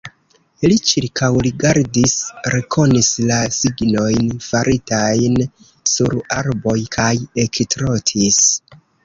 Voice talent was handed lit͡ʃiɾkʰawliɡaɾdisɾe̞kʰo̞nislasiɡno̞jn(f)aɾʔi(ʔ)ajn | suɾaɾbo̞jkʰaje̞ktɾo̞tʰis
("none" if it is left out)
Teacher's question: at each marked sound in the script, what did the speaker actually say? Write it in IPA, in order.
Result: f, t

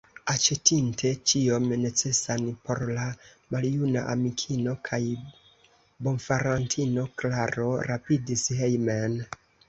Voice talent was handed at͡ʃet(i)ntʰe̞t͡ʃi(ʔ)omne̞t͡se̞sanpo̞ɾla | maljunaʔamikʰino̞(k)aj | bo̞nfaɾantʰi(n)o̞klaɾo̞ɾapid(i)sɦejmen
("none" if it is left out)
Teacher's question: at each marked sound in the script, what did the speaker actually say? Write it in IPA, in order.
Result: i, none, kʰ, n, i

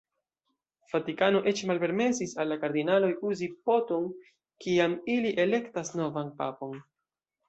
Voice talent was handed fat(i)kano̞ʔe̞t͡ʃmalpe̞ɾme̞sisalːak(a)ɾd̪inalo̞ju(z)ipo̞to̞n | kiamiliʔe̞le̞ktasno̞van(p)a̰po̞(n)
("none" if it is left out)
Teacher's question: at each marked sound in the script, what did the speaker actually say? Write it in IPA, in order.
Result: i, a, z, p, n

